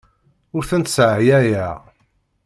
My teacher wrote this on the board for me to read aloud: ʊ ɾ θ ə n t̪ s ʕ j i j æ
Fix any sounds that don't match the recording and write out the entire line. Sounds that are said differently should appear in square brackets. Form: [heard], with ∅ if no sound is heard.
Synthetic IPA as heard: ʊ ɾ θ ə n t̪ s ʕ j [æ] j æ